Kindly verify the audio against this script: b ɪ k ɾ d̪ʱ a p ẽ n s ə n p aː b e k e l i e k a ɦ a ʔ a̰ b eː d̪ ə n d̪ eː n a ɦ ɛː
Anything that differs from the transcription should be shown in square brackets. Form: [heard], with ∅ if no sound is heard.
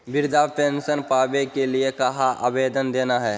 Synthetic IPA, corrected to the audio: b ɪ [∅] ɾ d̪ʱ a p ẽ n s ə n p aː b e k e l i e k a ɦ a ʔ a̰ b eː d̪ ə n d̪ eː n a ɦ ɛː